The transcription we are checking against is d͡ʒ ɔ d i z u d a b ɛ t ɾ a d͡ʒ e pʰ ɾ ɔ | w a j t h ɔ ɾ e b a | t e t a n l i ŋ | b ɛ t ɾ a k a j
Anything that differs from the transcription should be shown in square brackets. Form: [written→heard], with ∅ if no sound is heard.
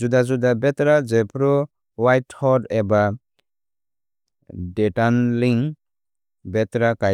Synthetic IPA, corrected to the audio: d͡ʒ [ɔ→u] d [i→a] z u d a b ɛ t ɾ a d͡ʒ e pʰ ɾ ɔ | w a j t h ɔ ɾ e b a | [t→d] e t a n l i ŋ | b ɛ t ɾ a k a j